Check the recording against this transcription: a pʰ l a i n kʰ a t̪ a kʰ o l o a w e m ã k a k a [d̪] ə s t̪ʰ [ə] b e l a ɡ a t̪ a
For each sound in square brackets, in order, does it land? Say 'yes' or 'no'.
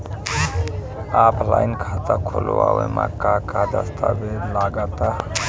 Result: yes, no

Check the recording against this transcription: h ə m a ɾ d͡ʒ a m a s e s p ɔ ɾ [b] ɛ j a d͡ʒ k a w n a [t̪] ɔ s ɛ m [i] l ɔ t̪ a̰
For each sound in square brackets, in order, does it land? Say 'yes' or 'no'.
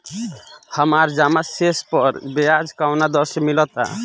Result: yes, no, yes

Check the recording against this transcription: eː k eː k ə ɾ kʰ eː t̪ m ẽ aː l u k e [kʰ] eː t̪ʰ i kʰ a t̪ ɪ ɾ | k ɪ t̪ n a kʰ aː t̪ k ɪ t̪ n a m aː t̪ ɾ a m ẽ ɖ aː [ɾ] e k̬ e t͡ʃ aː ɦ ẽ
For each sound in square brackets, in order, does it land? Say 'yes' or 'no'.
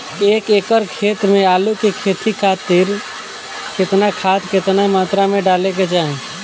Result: yes, no

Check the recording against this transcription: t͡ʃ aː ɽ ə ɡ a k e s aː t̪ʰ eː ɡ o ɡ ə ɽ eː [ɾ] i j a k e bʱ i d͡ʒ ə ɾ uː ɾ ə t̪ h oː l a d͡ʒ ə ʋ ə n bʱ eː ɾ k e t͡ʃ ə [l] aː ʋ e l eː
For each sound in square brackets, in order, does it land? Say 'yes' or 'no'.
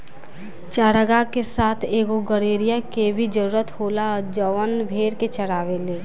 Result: yes, no

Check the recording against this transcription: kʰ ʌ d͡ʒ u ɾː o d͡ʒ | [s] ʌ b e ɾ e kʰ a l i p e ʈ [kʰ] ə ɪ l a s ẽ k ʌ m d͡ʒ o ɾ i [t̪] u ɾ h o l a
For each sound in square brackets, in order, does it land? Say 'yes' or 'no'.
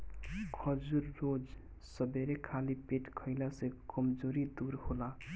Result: yes, yes, no

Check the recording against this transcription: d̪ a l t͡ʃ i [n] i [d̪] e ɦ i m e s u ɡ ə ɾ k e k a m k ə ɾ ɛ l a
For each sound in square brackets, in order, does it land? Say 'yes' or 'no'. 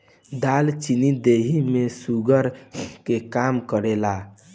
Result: yes, yes

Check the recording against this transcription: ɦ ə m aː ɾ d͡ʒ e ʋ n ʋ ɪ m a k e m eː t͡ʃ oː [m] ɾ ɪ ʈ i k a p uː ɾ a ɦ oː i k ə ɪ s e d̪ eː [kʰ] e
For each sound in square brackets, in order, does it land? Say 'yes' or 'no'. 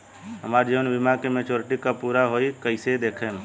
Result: no, yes

